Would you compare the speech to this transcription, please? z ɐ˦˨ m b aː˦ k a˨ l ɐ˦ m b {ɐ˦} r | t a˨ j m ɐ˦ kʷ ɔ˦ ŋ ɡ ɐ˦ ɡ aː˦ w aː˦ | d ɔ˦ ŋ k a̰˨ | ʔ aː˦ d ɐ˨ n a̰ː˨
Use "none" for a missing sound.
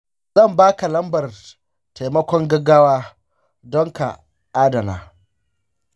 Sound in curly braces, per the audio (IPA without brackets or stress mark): ɐ˨